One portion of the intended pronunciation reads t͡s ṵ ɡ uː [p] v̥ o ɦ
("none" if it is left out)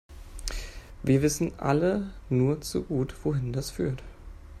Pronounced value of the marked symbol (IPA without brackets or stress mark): t